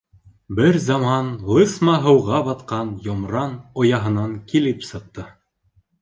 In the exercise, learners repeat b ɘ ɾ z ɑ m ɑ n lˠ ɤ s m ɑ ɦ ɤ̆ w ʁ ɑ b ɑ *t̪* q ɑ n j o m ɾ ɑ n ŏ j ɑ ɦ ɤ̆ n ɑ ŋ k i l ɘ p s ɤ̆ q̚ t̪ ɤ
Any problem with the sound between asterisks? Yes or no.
no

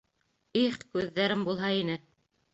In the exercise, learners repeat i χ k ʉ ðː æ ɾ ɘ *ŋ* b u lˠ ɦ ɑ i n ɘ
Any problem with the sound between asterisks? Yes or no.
yes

